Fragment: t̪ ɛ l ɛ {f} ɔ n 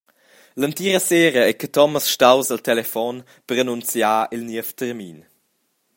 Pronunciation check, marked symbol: correct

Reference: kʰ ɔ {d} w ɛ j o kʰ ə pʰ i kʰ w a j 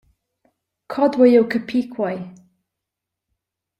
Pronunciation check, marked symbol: correct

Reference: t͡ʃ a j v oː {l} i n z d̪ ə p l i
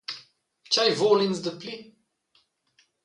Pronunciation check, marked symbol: correct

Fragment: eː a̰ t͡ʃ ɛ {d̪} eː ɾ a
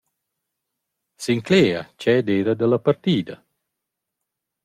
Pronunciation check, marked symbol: correct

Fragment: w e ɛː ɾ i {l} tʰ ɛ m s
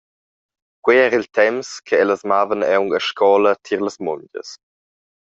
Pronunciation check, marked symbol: correct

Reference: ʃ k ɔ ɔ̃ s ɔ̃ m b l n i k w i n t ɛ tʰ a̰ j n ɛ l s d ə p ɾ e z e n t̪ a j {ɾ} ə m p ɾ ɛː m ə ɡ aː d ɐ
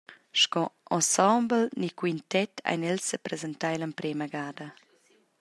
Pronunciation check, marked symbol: incorrect: l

